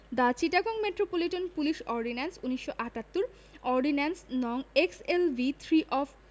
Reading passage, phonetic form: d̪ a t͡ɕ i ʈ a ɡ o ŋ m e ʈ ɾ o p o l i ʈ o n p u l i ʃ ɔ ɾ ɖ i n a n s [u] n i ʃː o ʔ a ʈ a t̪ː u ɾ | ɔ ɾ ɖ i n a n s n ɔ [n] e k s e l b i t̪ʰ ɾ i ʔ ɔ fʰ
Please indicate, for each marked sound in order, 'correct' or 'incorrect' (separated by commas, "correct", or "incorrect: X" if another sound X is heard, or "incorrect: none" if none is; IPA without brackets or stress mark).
correct, incorrect: ŋ